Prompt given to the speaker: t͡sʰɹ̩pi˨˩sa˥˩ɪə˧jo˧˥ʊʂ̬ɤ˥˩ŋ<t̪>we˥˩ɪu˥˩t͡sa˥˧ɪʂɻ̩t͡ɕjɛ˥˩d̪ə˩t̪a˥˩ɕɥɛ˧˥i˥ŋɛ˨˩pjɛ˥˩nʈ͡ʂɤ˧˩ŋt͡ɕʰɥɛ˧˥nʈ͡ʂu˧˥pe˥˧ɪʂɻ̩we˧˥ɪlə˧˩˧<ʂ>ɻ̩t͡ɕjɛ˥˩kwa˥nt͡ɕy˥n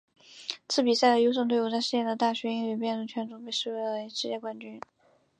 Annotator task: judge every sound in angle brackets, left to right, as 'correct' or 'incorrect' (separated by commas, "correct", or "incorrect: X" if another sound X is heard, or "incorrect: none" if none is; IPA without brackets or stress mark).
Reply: correct, correct